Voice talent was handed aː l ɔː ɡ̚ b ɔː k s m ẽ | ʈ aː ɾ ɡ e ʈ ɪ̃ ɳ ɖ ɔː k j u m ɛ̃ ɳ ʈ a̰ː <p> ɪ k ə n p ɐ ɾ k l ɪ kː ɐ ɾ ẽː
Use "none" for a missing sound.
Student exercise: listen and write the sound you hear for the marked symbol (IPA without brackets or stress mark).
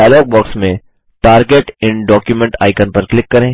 none